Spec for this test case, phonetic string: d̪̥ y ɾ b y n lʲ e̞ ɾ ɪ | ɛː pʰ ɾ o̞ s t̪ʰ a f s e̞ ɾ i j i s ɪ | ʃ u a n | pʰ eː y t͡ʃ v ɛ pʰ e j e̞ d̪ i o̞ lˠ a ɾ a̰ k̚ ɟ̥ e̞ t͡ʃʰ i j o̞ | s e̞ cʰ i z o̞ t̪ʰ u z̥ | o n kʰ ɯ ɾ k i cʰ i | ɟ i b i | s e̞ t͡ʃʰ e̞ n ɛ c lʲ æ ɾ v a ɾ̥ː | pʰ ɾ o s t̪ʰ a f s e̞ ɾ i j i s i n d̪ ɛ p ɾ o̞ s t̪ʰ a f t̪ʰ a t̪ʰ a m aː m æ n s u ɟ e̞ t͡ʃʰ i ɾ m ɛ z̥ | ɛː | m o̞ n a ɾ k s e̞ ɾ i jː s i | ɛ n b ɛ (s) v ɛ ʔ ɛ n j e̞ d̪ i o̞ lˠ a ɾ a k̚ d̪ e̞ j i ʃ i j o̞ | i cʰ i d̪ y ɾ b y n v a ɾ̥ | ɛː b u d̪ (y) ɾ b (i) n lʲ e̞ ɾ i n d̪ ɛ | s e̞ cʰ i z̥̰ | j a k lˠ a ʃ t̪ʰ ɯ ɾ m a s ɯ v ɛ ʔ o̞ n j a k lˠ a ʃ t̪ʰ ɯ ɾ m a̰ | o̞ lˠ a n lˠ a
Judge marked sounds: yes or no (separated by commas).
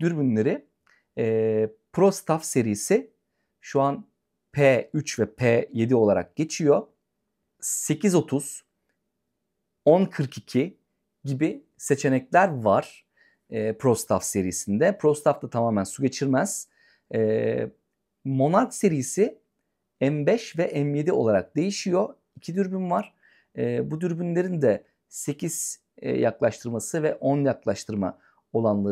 no, yes, no